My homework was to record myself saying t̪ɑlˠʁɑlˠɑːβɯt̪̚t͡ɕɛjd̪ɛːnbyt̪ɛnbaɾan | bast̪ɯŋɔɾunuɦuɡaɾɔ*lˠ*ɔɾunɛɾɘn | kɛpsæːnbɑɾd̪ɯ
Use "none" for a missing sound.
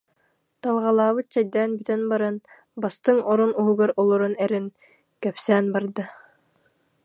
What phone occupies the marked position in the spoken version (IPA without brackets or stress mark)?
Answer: lˠ